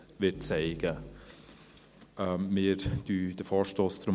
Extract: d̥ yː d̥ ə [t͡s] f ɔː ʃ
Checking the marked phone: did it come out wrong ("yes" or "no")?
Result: yes